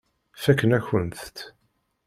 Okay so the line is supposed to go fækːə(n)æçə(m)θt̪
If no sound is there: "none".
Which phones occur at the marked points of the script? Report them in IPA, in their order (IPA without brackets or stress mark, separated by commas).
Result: n, n